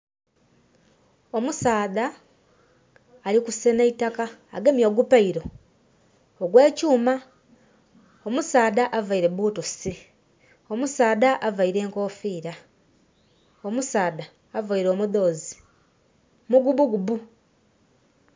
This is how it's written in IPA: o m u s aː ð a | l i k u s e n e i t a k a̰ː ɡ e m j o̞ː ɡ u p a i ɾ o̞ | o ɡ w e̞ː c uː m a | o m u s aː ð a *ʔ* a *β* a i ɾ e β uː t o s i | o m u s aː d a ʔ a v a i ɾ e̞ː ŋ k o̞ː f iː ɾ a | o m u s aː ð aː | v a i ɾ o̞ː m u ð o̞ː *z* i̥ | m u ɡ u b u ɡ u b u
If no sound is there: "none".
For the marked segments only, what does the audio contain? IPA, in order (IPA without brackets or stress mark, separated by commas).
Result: ʔ, v, z